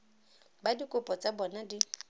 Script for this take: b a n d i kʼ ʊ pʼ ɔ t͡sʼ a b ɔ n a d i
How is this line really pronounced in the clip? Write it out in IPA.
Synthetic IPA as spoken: b a d i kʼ ʊ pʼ ɔ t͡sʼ a b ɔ n a d i